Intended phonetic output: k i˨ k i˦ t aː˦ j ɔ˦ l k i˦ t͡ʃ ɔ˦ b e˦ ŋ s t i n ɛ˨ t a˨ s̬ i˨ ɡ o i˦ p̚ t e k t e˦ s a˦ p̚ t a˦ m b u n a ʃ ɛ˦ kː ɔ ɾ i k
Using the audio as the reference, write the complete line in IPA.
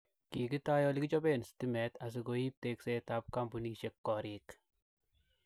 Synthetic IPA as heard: k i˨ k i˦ t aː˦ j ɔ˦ l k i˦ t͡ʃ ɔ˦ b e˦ n s t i m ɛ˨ t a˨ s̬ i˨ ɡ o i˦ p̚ t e k s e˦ t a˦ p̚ k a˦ m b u n i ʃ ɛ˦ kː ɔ ɾ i k